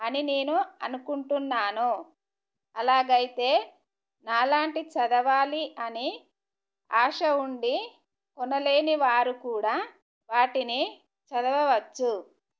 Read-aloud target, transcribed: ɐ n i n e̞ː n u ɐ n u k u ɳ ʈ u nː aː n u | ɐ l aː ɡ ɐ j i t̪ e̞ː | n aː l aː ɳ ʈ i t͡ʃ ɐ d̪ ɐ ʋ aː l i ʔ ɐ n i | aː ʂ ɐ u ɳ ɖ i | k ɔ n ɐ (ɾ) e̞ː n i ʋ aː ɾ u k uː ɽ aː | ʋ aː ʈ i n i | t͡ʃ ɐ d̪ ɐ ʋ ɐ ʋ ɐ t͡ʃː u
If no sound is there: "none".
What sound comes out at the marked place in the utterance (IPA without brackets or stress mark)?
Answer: l